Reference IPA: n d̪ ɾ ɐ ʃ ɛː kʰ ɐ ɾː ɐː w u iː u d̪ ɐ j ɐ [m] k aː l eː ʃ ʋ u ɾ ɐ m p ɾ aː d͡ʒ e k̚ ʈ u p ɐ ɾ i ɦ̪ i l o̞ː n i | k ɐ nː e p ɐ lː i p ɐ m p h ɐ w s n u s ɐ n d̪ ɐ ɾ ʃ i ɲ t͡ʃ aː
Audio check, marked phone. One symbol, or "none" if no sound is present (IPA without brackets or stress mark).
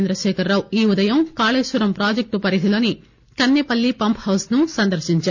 m